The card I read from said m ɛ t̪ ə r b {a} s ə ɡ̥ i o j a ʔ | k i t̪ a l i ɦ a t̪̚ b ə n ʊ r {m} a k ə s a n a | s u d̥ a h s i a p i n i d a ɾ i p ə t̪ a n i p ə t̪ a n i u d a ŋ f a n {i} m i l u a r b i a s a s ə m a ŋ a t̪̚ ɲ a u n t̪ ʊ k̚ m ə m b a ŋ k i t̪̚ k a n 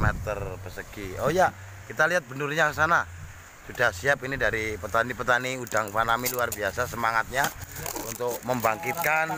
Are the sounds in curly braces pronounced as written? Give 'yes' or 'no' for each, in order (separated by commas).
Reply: no, no, no